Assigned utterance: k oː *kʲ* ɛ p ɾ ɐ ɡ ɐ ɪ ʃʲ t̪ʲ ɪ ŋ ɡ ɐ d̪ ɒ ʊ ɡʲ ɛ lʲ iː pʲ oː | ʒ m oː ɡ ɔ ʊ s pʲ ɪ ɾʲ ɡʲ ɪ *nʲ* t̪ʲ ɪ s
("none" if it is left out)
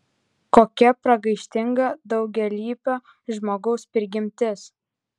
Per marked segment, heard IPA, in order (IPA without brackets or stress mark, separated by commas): kʲ, mʲ